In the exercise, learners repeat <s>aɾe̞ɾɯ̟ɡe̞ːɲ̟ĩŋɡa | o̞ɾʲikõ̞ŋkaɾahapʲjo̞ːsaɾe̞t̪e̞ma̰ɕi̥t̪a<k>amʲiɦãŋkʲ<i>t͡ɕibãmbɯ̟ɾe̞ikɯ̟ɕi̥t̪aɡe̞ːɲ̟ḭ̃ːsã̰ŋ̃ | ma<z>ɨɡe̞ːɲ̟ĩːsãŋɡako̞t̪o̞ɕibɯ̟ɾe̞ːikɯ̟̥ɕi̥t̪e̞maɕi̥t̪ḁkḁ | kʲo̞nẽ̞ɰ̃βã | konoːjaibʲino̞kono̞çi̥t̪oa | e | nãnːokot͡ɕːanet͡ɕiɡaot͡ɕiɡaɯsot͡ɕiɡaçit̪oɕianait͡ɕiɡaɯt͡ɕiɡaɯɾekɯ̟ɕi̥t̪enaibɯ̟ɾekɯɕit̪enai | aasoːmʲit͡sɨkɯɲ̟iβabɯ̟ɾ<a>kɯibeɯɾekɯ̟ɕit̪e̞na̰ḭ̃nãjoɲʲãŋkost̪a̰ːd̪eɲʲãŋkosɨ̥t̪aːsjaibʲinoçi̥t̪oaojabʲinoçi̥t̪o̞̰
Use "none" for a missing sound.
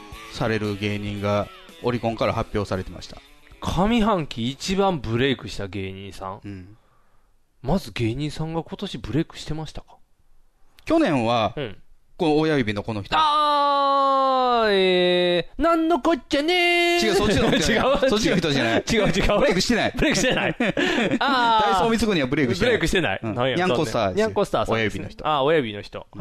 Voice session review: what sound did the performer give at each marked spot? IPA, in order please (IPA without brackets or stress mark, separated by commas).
s, kʰ, iː, z, e